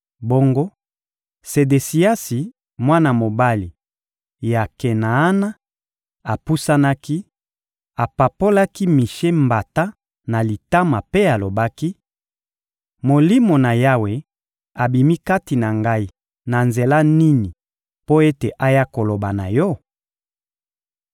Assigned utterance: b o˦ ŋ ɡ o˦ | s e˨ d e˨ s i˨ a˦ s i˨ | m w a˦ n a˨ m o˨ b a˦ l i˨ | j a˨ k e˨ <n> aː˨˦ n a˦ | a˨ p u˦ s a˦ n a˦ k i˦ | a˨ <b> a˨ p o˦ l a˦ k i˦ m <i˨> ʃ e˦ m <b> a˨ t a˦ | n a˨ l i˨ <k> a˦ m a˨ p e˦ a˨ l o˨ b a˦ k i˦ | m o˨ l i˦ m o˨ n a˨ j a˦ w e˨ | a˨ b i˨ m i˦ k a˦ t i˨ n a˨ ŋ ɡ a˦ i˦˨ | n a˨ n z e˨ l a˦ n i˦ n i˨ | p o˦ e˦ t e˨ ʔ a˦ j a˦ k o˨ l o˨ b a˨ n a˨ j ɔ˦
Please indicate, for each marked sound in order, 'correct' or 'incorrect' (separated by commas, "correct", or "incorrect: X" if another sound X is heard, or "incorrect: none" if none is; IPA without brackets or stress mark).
correct, incorrect: p, correct, correct, incorrect: t